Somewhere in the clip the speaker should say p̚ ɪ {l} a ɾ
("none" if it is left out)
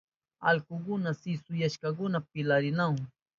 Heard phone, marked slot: l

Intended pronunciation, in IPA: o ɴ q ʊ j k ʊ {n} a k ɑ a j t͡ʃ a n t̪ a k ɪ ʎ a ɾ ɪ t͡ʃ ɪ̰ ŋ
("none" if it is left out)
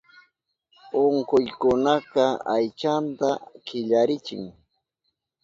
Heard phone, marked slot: n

